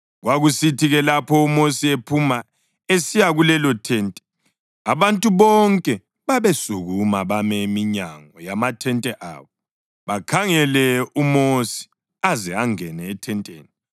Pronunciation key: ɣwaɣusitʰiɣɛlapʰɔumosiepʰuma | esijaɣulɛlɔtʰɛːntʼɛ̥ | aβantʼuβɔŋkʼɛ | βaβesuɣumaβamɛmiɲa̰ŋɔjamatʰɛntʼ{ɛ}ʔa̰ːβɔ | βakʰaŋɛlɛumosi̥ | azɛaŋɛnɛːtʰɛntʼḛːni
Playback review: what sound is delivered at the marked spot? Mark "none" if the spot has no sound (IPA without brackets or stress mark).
ɛ